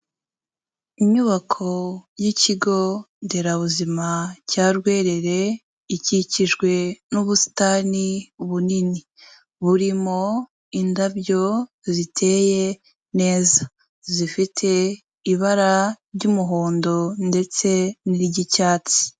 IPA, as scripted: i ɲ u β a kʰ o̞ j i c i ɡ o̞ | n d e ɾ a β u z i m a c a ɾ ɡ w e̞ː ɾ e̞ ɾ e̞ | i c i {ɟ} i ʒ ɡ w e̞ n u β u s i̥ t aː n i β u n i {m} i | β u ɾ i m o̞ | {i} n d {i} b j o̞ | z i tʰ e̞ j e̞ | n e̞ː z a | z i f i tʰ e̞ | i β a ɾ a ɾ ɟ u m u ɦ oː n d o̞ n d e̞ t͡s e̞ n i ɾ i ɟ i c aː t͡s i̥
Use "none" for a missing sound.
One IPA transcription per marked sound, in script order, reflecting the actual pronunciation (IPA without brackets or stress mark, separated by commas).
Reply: c, n, i, a